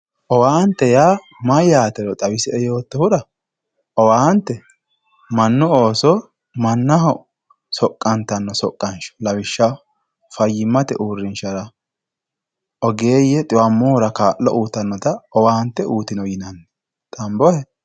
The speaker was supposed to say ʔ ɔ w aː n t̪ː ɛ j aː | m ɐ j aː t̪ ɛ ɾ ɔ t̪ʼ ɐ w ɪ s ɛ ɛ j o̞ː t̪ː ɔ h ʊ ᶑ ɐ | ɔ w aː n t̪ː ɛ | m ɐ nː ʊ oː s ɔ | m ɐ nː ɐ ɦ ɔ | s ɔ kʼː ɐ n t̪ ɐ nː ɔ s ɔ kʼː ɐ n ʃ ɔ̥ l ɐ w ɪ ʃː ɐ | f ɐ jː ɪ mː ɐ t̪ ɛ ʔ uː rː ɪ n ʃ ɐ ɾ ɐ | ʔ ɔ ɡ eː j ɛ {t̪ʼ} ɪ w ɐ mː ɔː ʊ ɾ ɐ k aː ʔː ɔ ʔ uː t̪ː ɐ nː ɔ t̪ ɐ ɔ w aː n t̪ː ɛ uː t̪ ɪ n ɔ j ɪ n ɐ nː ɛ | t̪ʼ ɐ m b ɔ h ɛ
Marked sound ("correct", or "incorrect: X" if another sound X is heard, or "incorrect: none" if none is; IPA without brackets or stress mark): correct